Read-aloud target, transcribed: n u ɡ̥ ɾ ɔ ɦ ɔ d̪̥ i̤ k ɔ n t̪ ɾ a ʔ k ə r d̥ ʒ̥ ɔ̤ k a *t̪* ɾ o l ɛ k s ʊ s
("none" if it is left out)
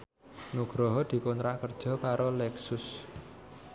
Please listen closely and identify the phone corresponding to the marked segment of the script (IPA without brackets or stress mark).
none